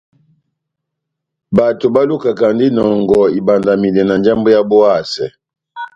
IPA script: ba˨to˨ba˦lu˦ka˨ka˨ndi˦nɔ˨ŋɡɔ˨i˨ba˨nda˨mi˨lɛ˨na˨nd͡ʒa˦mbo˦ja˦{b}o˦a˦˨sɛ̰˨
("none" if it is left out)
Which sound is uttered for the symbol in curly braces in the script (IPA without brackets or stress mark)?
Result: b